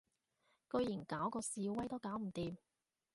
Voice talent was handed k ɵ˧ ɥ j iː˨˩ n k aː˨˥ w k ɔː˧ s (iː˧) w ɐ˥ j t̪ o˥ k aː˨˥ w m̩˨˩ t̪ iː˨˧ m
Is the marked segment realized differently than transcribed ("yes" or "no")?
no